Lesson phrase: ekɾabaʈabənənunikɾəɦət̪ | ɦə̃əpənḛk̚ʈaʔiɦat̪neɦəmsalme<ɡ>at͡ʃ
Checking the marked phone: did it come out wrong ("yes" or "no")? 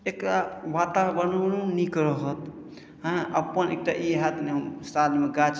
no